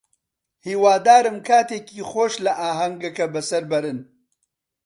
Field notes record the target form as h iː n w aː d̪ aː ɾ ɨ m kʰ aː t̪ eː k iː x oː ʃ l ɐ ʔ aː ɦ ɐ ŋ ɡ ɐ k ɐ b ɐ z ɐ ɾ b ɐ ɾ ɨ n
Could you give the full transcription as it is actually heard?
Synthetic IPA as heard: h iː w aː d̪ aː ɾ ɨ m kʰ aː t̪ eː k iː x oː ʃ l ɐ ʔ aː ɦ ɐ ŋ ɡ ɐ k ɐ b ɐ s ɐ ɾ b ɐ ɾ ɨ n